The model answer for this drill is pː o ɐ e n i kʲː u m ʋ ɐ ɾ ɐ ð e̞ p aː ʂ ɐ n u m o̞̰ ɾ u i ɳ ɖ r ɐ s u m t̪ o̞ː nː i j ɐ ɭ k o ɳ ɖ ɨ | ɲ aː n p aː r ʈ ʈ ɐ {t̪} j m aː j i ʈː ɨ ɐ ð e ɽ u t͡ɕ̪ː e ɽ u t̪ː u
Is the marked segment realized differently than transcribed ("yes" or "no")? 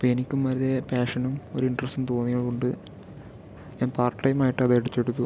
yes